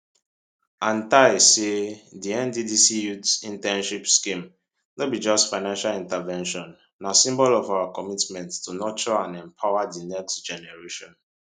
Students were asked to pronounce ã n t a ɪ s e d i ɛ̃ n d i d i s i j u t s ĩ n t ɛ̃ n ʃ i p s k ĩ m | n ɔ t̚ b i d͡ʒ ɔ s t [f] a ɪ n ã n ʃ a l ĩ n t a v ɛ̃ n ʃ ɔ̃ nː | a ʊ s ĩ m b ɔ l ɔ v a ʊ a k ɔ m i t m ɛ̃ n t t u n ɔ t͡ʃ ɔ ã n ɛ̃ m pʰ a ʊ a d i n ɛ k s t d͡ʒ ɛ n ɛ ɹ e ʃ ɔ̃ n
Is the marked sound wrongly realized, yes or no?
no